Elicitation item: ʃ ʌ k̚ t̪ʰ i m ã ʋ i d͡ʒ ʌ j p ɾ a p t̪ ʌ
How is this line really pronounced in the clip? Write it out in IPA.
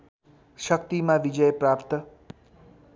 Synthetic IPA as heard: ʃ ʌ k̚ t̪ i m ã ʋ i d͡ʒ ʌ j p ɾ a p t̪ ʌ